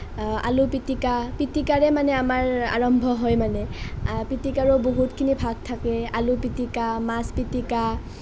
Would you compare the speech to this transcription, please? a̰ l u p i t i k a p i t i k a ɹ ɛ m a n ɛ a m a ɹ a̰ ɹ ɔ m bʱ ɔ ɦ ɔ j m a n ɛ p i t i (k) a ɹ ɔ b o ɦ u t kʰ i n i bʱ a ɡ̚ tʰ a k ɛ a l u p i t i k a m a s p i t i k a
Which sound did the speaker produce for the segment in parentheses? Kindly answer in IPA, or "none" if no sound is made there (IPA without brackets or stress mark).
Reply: k